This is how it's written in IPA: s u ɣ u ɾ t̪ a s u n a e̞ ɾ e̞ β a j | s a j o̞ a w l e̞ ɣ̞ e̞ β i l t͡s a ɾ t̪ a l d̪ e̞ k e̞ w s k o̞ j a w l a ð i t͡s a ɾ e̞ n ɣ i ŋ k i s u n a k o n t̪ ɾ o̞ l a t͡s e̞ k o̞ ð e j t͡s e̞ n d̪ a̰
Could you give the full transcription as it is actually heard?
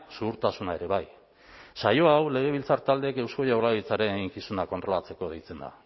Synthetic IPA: s u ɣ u ɾ t̪ a s u n a e̞ ɾ e̞ β a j | s a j o̞ a w l e̞ ɣ̞ e̞ β i l t͡s a ɾ t̪ a l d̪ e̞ k e̞ w s k o̞ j a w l a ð i t͡s a ɾ e̞ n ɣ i ŋ k i s u n a k o n t̪ ɾ o̞ l a t͡s e̞ k o̞ ð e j t͡s e̞ n d̪ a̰